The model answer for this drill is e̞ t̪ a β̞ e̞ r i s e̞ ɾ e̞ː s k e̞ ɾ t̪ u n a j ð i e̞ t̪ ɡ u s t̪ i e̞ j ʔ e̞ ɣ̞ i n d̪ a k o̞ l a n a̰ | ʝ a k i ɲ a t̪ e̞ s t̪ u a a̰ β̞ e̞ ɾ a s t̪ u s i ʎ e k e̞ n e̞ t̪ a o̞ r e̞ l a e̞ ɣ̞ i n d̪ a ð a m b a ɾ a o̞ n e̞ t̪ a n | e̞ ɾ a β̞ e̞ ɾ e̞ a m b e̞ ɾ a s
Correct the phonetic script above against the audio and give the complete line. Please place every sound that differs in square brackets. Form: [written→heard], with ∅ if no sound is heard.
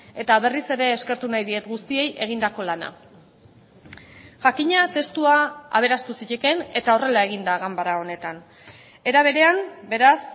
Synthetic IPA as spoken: e̞ t̪ a β̞ e̞ r i s e̞ ɾ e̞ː s k e̞ ɾ t̪ u n a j ð i e̞ t̪ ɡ u s t̪ i e̞ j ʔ e̞ ɣ̞ i n d̪ a k o̞ l a n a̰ | ʝ a k i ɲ a t̪ e̞ s t̪ u a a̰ β̞ e̞ ɾ a s t̪ u s i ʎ e k e̞ n e̞ t̪ a o̞ r e̞ l a e̞ ɣ̞ i n d̪ a [ð→ɣ] a m b a ɾ a o̞ n e̞ t̪ a n | e̞ ɾ a β̞ e̞ ɾ e̞ a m b e̞ ɾ a s